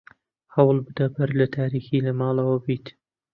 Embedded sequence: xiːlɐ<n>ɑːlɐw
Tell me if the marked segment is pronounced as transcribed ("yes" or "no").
no